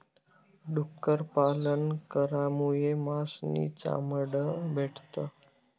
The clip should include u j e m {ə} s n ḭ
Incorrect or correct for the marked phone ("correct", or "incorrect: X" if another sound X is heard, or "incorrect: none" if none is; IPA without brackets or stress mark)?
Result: incorrect: a